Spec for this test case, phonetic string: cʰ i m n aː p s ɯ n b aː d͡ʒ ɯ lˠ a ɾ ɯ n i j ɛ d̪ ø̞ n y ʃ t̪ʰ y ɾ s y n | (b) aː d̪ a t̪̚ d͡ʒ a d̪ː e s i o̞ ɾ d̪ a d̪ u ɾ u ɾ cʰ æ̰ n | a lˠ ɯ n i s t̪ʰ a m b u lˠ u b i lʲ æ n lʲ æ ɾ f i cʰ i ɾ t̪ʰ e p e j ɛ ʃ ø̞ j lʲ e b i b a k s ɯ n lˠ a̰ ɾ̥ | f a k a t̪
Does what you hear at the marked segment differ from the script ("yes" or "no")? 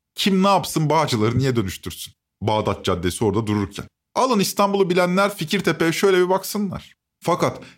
no